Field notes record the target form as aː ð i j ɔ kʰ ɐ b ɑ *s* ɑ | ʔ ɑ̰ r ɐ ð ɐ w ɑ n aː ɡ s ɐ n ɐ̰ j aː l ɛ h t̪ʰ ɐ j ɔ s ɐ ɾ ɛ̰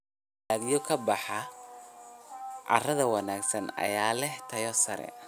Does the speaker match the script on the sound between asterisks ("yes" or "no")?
no